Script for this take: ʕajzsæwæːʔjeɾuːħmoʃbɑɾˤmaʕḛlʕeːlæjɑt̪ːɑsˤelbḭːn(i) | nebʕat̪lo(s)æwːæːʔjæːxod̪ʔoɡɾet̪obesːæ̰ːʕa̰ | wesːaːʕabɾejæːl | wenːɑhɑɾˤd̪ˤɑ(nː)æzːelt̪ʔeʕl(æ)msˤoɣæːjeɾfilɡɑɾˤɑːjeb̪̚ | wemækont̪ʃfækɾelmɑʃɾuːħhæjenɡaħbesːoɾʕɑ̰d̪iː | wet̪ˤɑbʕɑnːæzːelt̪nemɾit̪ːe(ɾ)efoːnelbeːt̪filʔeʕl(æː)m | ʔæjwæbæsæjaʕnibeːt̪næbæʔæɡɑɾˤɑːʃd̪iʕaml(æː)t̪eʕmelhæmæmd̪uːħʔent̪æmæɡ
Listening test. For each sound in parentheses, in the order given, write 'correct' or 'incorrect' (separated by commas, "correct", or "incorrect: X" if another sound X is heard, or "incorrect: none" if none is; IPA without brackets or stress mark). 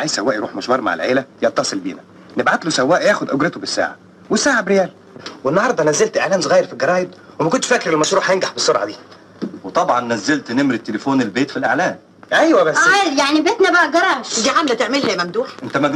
incorrect: æ, correct, incorrect: n, incorrect: æː, incorrect: l, correct, incorrect: æ